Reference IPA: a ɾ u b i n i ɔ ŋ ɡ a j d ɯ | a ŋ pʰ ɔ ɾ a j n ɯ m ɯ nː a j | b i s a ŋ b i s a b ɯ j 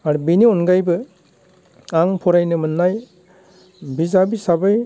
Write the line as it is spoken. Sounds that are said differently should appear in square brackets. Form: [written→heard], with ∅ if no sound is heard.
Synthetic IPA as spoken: a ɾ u b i n i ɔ [ŋ→n] ɡ a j [d→b] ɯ | a ŋ pʰ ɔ ɾ a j n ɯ m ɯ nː a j | b i [s→z] a [ŋ→∅] b i s a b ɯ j